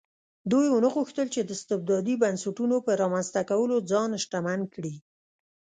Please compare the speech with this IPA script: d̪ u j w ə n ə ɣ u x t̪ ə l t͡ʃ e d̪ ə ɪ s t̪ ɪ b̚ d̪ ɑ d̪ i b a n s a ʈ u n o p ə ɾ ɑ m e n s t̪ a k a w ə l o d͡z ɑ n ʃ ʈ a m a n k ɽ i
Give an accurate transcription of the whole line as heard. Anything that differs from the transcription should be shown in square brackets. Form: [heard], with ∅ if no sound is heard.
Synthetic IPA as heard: d̪ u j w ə n ə ɣ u x t̪ ə l t͡ʃ e d̪ ə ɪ s t̪ ɪ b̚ d̪ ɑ d̪ i b a n s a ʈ u n o p ə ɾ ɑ m [a] n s t̪ a k a w ə l o d͡z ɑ n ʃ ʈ a m a n k ɽ i